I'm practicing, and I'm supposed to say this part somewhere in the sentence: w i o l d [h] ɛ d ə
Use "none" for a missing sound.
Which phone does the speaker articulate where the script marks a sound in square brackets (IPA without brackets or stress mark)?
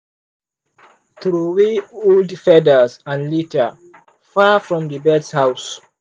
f